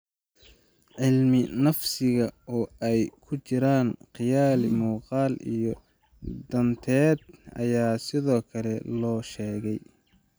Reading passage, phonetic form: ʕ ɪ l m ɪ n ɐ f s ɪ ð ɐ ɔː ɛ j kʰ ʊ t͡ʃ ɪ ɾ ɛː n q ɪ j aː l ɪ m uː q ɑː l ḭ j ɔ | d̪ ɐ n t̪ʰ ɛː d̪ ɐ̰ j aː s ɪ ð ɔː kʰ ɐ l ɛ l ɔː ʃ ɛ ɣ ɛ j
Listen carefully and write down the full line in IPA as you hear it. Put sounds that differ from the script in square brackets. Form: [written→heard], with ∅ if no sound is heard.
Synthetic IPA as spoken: ʕ ɪ l m ɪ n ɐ f s ɪ [ð→ɣ] ɐ ɔː ɛ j kʰ ʊ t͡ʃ ɪ ɾ [ɛː→aː] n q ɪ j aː l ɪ m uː q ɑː l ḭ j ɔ | d̪ ɐ n t̪ʰ ɛː d̪ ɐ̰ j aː s ɪ ð ɔː kʰ ɐ l ɛ l ɔː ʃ [ɛ→ɛː] ɣ ɛ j